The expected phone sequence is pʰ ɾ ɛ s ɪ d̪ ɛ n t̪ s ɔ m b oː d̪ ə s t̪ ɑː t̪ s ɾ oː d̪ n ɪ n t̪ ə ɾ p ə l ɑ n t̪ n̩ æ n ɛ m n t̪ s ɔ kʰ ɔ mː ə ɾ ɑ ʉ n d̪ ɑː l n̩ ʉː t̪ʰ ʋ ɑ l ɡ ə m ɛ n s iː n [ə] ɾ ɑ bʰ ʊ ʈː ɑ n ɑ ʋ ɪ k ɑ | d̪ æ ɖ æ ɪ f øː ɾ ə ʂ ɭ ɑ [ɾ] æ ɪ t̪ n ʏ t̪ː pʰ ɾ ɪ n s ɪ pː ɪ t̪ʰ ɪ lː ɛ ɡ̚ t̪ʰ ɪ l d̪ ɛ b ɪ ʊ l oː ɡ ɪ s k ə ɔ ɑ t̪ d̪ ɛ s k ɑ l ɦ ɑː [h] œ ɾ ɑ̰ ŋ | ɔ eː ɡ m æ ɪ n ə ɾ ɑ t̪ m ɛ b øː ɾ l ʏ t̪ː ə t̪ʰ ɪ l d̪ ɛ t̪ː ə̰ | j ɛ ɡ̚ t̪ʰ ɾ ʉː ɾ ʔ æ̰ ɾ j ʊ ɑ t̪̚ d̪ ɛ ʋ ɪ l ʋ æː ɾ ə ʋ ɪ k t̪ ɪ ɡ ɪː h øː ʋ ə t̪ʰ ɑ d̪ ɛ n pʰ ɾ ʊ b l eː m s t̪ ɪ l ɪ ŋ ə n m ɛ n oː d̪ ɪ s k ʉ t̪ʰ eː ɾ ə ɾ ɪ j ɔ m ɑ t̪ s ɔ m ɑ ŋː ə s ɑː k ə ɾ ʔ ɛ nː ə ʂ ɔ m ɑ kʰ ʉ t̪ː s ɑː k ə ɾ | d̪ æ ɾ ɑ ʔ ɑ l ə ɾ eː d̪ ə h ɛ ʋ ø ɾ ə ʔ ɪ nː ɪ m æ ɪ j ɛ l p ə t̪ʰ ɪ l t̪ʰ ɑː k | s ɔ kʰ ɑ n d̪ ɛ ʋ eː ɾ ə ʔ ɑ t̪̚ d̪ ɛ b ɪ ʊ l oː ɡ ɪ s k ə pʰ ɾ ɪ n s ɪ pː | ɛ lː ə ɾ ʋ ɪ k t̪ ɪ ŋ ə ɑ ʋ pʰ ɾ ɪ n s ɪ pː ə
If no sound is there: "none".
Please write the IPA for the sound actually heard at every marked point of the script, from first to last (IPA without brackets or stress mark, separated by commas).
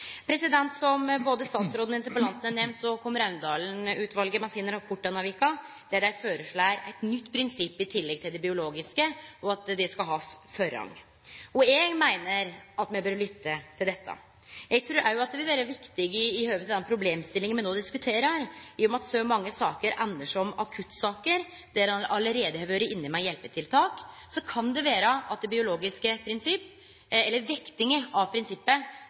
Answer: ə, ɾ, f